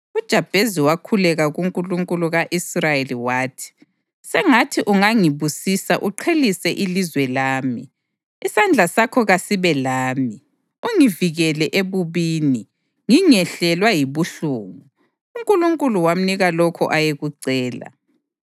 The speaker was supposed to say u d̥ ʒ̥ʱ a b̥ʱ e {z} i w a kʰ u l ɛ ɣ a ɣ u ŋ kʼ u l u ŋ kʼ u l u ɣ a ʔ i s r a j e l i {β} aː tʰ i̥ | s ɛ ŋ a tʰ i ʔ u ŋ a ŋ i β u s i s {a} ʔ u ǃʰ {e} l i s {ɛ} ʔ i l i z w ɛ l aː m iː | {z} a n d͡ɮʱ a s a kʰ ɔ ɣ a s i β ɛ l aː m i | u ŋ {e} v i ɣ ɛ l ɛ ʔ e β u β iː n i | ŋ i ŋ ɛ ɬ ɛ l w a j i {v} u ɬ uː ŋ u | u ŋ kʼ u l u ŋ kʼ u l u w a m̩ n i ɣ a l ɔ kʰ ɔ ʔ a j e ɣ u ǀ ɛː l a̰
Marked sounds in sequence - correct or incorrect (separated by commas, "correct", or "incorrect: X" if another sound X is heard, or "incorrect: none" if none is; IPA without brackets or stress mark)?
correct, incorrect: w, correct, correct, correct, incorrect: s, incorrect: i, incorrect: β